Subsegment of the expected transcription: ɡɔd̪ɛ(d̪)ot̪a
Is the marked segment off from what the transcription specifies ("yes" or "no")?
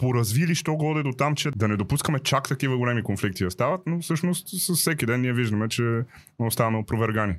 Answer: no